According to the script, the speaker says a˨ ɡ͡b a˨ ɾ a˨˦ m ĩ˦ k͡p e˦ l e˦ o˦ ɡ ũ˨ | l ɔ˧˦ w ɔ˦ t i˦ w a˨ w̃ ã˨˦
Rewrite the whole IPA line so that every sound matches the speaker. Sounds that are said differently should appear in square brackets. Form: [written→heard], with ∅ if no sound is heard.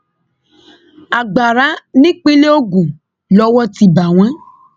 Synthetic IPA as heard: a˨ ɡ͡b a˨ ɾ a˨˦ [m→n] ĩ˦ k͡p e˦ l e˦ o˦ ɡ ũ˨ | l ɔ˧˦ w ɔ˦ t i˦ [w→b] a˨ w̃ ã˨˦